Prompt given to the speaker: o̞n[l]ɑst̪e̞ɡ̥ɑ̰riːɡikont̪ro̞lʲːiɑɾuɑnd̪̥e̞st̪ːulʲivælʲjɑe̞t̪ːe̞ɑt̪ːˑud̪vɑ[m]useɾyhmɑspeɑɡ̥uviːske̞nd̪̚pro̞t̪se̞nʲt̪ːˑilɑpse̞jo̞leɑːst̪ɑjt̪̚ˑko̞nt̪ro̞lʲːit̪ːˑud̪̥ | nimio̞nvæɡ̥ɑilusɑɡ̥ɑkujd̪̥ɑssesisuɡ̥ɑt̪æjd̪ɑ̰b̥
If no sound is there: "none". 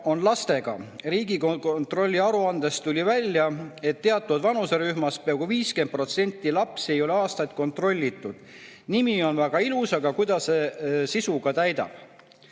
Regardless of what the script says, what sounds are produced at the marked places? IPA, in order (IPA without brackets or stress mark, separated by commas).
l, n